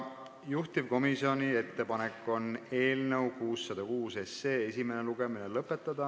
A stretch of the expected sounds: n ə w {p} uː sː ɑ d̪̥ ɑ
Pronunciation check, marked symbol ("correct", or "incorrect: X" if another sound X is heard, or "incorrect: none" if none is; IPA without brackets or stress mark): incorrect: k